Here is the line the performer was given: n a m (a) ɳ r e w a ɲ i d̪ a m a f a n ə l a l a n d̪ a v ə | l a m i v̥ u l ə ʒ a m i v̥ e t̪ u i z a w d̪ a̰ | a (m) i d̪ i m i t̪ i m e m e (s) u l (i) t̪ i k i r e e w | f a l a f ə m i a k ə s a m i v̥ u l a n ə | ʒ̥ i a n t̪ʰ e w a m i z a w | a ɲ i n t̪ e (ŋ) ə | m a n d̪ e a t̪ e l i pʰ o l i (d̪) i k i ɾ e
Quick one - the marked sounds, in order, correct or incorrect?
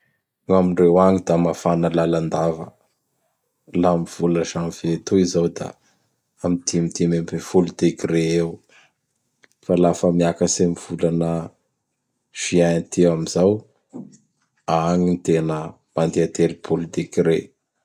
incorrect: i, correct, incorrect: f, correct, incorrect: n, incorrect: t̪

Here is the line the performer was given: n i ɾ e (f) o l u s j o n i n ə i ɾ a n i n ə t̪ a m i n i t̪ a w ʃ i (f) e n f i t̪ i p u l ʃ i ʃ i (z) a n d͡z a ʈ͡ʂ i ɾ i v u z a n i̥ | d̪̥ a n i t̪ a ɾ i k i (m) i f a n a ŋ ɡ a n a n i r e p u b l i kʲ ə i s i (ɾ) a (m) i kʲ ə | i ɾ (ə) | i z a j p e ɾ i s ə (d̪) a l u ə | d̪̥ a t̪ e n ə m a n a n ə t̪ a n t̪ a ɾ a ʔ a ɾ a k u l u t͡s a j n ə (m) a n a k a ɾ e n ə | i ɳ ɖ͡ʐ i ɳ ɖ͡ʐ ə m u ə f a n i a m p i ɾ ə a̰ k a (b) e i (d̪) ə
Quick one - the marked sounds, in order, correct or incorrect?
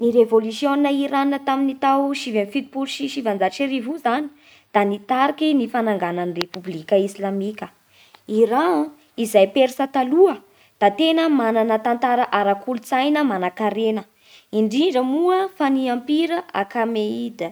incorrect: v, incorrect: v, incorrect: v, incorrect: n, incorrect: l, correct, incorrect: a, incorrect: t̪, correct, incorrect: m, correct

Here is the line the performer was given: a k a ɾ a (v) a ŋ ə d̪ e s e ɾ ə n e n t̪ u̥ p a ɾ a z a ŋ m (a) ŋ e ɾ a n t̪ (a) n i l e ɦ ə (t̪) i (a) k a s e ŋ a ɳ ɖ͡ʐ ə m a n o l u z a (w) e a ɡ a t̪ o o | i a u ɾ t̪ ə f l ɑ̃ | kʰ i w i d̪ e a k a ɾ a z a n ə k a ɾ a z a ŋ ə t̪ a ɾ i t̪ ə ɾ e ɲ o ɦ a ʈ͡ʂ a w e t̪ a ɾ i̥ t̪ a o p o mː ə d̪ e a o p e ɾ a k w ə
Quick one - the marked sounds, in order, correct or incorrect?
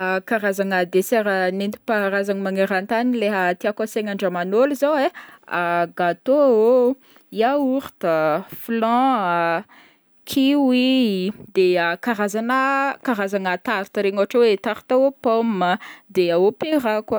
incorrect: z, correct, correct, correct, correct, correct

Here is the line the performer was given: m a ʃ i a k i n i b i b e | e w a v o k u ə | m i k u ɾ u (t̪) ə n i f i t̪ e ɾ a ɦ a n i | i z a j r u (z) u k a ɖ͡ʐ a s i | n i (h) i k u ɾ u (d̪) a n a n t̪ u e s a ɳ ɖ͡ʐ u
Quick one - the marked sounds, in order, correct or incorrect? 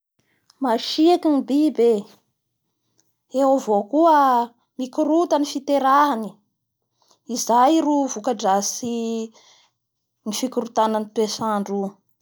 correct, incorrect: v, incorrect: f, incorrect: t̪

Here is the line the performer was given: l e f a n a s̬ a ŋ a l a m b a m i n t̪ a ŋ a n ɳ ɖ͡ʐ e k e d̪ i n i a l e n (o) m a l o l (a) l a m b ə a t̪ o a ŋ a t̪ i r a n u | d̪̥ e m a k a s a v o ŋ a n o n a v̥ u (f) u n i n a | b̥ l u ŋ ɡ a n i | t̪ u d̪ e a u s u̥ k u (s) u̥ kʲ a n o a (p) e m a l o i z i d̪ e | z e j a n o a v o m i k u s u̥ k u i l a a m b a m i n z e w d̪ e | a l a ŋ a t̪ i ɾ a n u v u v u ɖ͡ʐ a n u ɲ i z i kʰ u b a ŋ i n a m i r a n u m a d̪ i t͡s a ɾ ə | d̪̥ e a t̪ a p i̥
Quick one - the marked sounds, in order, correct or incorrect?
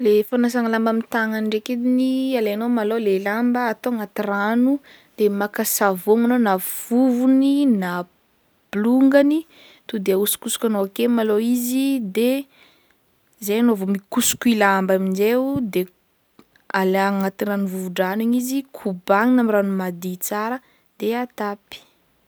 correct, incorrect: e, incorrect: v, correct, incorrect: k

